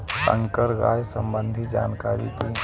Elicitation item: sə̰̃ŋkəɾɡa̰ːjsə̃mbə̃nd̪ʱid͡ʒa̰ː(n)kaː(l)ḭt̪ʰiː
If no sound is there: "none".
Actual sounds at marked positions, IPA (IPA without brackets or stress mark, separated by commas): n, ɾ